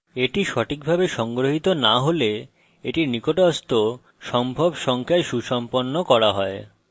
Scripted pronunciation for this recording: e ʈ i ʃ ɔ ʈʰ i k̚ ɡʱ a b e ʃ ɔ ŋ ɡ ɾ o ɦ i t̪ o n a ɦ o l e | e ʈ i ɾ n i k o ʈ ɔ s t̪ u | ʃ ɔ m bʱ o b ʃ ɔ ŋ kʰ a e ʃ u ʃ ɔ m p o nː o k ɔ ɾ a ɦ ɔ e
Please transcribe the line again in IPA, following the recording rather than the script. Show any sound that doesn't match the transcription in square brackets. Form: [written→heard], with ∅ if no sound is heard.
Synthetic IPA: e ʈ i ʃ ɔ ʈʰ i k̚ [ɡʱ→bʱ] a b e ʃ ɔ ŋ ɡ ɾ o ɦ i t̪ o n a ɦ o l e | e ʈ i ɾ n i k o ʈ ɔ s t̪ [u→o] | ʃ ɔ m bʱ o b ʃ ɔ ŋ kʰ a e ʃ u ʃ ɔ m p o nː o k ɔ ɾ a ɦ ɔ e